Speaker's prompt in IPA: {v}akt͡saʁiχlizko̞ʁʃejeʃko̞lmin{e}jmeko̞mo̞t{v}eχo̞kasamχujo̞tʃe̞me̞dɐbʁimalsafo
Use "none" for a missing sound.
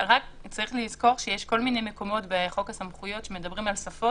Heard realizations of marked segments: ʁ, e, b

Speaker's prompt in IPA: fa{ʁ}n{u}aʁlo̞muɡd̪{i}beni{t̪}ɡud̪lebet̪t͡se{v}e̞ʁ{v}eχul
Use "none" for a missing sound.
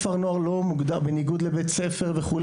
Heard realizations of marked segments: ʁ, o, a, none, f, v

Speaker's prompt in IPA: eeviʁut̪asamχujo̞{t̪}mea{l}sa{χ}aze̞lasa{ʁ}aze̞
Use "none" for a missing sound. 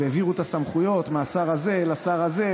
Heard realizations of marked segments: t̪, none, ʁ, ʁ

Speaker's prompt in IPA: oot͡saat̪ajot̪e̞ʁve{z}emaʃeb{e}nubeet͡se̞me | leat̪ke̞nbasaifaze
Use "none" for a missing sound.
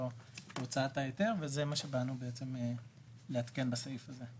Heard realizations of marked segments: z, a

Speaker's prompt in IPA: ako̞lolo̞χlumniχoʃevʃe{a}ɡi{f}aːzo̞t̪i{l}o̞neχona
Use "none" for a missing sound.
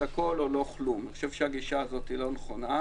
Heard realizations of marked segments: a, ʃ, l

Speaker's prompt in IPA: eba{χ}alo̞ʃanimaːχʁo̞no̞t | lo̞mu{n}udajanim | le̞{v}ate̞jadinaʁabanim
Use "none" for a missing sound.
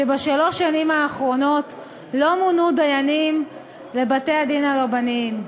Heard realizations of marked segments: ʃ, n, b

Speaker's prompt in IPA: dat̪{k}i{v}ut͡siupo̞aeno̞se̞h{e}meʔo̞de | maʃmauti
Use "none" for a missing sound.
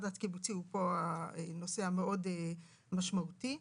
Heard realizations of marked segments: k, b, a

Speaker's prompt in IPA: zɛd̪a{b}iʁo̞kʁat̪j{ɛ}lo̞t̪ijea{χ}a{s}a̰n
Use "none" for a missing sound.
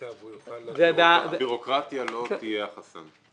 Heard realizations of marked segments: b, a, χ, s

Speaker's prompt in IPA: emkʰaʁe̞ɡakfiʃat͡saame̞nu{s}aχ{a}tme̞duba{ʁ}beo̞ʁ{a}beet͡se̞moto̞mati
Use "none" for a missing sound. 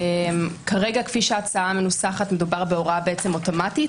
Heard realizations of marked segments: s, a, ʁ, a

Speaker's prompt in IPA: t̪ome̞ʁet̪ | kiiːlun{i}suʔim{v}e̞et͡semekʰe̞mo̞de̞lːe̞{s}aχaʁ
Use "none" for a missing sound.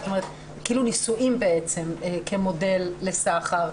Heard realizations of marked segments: i, b, s

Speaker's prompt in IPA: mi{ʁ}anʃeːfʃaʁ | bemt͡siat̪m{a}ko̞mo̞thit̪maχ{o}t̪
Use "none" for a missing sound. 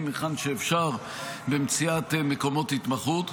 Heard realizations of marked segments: χ, e, u

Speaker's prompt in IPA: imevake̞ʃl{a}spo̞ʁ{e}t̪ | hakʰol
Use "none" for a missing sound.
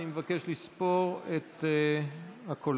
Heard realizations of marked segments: i, e

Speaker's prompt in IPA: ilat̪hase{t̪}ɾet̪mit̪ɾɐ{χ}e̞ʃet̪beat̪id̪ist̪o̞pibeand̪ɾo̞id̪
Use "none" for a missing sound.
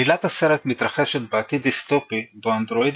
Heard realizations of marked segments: none, χ

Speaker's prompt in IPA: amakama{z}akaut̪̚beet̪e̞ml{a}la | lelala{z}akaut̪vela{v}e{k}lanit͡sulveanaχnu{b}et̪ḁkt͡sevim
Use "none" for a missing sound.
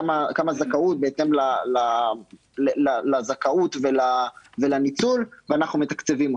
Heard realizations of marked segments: z, a, z, v, none, m

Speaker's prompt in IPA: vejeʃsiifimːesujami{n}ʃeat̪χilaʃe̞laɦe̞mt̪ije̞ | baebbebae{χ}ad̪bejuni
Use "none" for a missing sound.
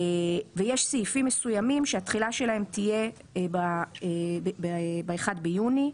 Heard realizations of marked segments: m, χ

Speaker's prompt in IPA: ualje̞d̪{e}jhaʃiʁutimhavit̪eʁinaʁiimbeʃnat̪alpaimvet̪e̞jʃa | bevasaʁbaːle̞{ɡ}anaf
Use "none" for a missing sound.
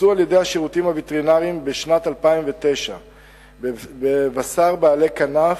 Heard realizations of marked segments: e, k

